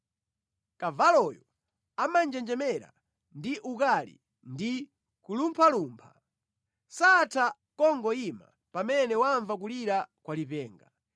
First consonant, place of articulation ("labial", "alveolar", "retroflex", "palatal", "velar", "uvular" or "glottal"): velar